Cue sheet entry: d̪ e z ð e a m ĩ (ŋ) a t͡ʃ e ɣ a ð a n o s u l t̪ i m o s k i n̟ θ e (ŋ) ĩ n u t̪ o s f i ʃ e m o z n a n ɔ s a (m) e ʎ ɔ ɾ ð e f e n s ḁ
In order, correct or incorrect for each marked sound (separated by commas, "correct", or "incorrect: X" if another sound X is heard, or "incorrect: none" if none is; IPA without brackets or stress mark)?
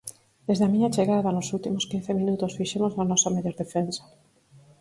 incorrect: ɲ, incorrect: m, correct